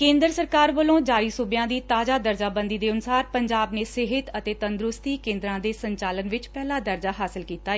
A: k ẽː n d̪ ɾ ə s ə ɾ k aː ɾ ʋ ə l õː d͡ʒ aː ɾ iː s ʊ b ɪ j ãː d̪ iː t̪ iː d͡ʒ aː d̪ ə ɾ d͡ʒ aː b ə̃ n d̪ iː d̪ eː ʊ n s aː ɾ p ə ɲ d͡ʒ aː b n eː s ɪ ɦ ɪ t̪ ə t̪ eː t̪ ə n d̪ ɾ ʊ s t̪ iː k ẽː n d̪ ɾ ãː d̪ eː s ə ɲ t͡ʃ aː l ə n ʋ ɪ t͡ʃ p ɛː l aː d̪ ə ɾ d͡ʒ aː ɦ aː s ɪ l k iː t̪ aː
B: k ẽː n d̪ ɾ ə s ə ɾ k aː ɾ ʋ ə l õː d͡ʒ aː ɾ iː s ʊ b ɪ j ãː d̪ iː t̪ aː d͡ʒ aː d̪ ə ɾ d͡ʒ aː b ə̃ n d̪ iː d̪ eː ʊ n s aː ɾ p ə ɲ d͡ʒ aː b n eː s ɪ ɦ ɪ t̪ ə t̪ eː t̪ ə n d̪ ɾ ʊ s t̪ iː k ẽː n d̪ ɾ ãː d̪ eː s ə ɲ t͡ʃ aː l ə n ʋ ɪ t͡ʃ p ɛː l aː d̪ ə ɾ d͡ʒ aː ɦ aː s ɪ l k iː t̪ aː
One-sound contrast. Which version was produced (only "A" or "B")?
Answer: B